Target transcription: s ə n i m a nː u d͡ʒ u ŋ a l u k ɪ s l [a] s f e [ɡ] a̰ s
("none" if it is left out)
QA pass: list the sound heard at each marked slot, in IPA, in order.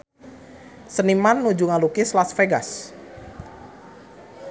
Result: a, ɡ

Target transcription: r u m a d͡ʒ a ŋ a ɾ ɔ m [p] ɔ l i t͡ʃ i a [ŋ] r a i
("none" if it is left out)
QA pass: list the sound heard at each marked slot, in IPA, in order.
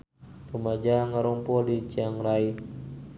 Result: p, ŋ

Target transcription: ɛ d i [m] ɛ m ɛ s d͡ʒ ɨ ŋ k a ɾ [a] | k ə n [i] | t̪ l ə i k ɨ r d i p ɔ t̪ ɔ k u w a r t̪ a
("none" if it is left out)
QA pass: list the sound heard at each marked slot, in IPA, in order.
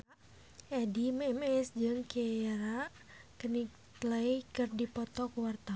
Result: m, a, i

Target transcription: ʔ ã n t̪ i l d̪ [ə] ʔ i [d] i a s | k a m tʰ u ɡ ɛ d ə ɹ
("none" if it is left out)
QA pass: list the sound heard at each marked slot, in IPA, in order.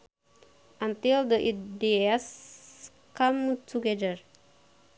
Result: ə, d

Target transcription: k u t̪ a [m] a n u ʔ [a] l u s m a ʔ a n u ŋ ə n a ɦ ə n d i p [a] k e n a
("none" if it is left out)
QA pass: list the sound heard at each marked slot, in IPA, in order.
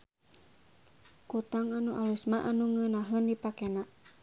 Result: ŋ, a, a

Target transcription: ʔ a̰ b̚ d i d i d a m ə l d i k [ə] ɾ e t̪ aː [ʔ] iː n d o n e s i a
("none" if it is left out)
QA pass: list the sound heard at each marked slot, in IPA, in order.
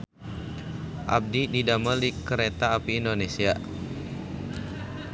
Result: ə, p

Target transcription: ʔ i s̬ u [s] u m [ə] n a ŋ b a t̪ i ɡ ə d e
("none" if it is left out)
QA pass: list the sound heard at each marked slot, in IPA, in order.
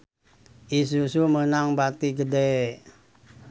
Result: s, ə

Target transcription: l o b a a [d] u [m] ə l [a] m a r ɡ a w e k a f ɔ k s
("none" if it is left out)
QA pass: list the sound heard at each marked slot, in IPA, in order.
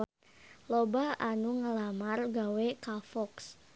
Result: n, ŋ, a

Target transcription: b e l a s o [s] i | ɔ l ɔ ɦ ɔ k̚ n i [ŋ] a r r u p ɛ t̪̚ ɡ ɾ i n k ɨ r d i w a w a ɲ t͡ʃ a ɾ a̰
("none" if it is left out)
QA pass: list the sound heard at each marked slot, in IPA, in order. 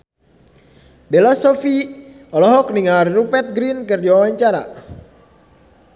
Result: f, ŋ

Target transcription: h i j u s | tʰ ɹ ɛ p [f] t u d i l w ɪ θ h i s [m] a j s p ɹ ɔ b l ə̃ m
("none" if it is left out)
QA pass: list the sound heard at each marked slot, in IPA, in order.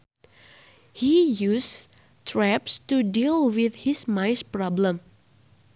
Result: s, m

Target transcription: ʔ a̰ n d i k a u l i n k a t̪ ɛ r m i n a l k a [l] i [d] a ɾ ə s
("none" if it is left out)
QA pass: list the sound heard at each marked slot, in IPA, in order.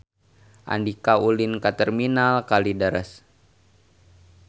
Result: l, d

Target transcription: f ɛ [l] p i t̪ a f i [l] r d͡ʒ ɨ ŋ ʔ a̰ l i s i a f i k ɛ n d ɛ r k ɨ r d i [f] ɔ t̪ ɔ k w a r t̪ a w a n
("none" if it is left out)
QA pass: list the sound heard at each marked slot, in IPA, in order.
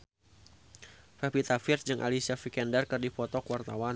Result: none, none, f

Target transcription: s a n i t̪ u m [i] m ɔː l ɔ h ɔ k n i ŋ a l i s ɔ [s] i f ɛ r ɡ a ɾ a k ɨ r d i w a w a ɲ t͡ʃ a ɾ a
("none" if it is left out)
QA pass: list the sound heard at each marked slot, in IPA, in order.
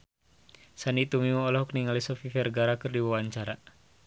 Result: i, f

